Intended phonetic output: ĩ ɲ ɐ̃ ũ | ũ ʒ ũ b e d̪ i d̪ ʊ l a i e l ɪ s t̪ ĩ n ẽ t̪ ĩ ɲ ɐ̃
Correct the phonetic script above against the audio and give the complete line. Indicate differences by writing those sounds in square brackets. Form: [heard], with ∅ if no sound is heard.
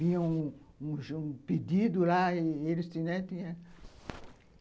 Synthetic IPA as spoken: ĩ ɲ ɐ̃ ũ | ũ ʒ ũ [p] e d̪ i d̪ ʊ l a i e l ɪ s t̪ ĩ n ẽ t̪ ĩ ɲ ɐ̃